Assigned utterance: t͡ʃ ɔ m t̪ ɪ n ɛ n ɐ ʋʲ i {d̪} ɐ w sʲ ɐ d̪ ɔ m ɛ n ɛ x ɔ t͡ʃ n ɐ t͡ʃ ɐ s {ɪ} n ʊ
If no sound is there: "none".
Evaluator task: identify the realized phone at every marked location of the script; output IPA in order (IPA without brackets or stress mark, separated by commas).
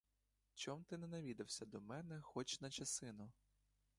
d̪, ɪ